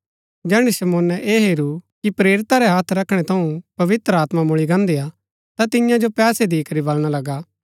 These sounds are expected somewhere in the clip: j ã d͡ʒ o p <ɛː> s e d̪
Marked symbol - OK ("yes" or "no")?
yes